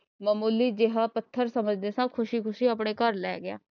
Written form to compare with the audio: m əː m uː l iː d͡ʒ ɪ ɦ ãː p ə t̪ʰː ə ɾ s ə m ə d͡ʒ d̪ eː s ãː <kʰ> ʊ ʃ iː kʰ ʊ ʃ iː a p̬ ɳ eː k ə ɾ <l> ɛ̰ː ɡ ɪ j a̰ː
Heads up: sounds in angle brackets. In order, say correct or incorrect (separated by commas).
correct, correct